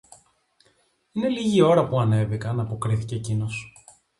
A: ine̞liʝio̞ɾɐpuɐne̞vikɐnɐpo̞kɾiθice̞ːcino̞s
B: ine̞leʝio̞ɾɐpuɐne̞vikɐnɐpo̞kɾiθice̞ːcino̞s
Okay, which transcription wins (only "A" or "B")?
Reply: A